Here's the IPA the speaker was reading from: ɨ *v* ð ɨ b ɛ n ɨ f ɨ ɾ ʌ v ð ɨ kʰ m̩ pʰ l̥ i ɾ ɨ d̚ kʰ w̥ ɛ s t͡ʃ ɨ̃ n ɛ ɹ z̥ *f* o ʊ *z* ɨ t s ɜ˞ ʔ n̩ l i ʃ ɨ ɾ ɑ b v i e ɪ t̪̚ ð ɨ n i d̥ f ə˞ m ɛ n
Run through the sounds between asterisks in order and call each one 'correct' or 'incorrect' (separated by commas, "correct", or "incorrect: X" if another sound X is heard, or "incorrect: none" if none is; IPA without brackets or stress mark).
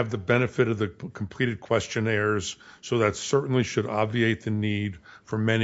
correct, incorrect: s, incorrect: ð